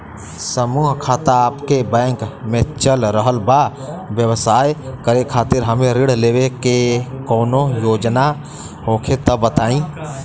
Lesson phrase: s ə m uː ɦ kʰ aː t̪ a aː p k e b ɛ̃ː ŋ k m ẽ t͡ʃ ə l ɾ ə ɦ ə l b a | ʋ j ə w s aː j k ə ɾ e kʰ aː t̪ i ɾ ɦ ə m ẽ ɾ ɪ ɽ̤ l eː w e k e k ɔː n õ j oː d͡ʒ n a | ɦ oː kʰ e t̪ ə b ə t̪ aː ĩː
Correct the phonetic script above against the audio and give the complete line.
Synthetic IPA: s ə m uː ɦ kʰ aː t̪ a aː p k e b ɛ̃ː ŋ k m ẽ t͡ʃ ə l ɾ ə ɦ ə l b a | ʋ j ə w s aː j k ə ɾ e kʰ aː t̪ ɪ ɾ ɦ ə m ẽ ɾ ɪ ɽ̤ l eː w e k e k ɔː n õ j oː d͡ʒ n a | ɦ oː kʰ e t̪ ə b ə t̪ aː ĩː